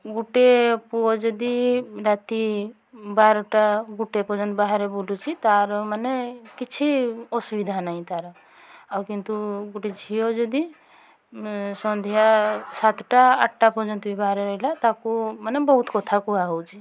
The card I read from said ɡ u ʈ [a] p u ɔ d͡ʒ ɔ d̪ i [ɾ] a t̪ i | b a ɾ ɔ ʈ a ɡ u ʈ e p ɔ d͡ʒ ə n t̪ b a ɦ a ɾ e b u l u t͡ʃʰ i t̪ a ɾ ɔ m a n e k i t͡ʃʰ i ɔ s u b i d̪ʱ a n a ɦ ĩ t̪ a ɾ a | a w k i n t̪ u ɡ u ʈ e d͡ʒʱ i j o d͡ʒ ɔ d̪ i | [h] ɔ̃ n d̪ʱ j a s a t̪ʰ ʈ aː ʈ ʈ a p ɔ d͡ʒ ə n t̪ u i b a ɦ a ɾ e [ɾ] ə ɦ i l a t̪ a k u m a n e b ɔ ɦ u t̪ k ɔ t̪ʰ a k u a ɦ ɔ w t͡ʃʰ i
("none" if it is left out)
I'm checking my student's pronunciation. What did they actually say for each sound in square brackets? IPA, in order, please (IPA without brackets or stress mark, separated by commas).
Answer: e, ɾ, s, ɾ